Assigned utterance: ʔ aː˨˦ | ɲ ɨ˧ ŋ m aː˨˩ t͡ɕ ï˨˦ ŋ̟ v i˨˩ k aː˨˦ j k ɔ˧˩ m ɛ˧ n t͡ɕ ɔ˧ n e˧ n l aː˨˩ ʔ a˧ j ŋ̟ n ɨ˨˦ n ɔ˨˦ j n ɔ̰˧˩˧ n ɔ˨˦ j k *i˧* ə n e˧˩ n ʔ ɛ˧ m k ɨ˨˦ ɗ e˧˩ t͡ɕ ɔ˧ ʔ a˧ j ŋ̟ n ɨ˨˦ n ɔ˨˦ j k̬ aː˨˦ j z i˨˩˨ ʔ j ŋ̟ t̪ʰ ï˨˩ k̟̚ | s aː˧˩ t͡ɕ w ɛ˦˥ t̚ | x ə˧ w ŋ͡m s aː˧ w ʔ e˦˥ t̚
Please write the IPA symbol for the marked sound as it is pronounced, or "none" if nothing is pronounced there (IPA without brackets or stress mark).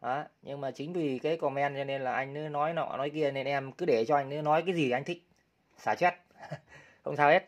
i˧